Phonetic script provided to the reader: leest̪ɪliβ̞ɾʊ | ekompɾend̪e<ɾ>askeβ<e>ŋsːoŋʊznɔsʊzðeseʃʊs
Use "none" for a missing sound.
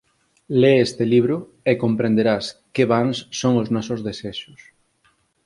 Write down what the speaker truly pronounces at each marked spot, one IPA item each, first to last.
ɾ, a

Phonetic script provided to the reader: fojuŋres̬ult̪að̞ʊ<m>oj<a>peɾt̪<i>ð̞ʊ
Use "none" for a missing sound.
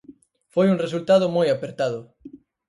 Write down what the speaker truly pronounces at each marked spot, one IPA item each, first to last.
m, a, a

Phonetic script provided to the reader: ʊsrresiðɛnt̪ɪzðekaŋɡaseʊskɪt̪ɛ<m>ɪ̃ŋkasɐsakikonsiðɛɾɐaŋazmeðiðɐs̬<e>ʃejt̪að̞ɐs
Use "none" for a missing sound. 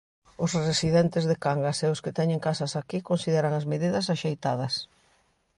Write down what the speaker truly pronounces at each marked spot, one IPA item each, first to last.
ɲ, a

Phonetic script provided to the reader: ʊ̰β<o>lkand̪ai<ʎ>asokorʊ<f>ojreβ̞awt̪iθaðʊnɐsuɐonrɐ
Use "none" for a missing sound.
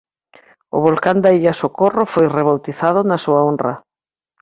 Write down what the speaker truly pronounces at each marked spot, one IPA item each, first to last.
o, ʎ, f

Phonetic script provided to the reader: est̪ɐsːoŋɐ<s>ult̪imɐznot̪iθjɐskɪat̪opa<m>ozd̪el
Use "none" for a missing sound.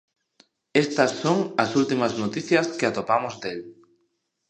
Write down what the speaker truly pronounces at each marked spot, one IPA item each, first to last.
s, m

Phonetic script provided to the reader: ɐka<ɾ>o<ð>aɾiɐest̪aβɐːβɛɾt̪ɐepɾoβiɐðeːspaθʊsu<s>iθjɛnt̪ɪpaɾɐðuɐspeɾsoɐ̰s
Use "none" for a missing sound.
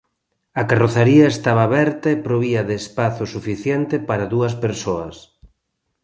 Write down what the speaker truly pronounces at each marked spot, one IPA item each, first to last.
r, θ, f

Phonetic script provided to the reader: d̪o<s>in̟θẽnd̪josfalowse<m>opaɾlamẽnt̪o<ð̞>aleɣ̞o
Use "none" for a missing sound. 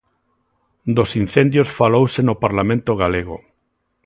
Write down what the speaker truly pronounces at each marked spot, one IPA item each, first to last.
s, n, ɣ̞

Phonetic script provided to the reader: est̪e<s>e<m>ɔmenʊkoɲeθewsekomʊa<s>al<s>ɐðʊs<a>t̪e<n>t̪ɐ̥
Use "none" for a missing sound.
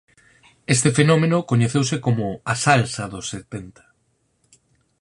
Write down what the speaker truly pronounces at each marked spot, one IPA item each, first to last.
f, n, s, s, e, n

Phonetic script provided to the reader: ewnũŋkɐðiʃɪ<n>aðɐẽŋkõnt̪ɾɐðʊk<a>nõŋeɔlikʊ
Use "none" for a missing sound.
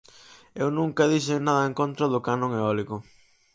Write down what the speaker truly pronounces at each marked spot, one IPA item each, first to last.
n, a

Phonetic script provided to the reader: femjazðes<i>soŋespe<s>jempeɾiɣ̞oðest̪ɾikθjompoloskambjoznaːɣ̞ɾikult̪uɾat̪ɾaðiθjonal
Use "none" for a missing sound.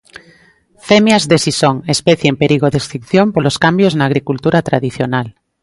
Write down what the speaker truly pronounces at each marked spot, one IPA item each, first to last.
i, θ

